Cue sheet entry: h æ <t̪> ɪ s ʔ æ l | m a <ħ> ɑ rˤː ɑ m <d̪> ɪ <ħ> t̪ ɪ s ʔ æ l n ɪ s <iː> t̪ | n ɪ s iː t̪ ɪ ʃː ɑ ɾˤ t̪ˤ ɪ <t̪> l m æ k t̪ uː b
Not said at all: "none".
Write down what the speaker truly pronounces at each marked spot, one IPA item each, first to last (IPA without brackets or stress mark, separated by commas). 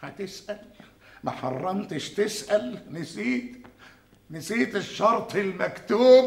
t̪, ħ, t̪, ʃ, iː, none